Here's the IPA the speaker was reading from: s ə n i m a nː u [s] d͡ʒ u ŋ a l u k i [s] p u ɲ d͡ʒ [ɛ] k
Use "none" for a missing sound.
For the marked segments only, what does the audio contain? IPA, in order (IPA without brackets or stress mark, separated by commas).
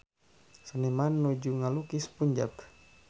none, s, a